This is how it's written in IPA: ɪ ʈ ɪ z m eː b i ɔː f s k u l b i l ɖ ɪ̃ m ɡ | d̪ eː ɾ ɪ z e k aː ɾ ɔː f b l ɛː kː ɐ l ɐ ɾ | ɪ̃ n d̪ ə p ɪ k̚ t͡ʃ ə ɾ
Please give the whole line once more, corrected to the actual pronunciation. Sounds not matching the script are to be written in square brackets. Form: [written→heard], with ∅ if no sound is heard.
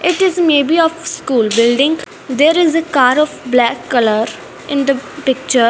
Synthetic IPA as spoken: ɪ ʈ ɪ z m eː b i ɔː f s k [u→uː] l b [i→ɪ] l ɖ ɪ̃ [m→ŋ] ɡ | d̪ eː ɾ ɪ z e k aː ɾ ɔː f b l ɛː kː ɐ l [ɐ→ə] ɾ | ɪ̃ n d̪ ə p ɪ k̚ t͡ʃ ə ɾ